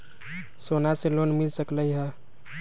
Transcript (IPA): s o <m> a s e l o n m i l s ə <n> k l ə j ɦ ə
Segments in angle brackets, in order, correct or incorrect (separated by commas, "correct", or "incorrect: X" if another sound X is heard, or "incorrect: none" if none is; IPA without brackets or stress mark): incorrect: n, incorrect: none